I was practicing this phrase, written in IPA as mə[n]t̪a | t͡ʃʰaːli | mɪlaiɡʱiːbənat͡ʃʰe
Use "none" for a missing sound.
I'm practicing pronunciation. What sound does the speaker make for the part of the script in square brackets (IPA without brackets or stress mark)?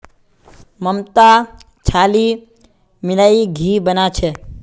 m